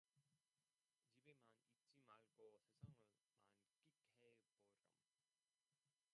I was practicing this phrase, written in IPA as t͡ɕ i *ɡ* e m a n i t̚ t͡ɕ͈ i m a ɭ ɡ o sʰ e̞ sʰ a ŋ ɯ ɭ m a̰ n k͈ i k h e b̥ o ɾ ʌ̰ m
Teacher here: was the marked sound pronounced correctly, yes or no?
no